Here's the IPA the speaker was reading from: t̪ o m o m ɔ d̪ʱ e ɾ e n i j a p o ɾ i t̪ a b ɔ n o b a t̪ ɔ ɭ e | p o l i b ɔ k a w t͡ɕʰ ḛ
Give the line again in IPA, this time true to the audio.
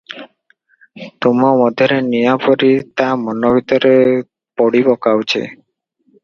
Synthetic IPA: t̪ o m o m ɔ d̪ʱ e ɾ e n i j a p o ɾ i t̪ a m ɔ n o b i t̪ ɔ ɾ e | p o ɽ i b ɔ k a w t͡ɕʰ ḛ